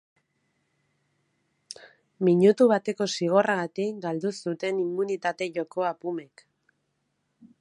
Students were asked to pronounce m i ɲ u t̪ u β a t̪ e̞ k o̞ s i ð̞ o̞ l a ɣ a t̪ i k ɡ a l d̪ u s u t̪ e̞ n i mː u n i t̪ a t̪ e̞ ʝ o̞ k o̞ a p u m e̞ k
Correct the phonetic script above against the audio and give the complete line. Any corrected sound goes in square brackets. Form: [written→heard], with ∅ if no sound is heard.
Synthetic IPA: m i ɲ u t̪ u β a t̪ e̞ k o̞ s i [ð̞→ɣ̞] o̞ [l→r] a ɣ a t̪ i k ɡ a l d̪ u s u t̪ e̞ n i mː u n i t̪ a t̪ e̞ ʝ o̞ k o̞ a p u m e̞ k